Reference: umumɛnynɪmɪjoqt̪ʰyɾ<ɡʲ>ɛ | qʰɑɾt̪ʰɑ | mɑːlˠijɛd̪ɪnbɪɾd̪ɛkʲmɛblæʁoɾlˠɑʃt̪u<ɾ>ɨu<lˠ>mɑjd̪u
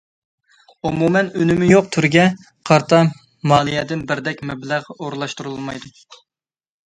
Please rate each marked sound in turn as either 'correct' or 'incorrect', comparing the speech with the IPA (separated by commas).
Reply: correct, correct, correct